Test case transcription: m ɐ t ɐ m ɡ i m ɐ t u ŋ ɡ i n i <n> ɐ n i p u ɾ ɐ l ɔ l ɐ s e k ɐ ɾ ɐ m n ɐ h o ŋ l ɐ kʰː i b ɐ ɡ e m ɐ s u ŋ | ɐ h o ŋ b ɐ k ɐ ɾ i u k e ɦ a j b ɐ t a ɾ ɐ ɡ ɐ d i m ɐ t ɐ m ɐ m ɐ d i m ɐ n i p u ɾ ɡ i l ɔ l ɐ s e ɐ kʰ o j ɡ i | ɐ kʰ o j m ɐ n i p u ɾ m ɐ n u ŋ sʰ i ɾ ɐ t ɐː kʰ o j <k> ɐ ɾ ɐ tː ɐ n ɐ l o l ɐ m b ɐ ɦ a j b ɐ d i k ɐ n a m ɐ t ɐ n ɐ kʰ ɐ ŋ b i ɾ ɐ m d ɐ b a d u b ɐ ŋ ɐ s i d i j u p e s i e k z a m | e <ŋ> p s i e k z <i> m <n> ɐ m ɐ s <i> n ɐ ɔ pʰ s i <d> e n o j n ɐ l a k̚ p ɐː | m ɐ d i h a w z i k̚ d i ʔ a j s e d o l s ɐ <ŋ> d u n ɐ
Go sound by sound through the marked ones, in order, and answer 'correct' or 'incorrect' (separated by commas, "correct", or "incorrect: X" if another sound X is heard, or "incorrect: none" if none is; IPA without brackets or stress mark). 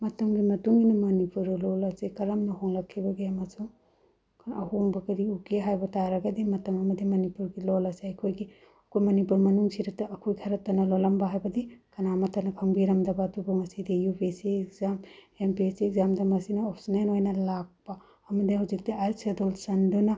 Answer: incorrect: m, incorrect: kʰ, incorrect: m, incorrect: a, incorrect: d, correct, incorrect: n, incorrect: n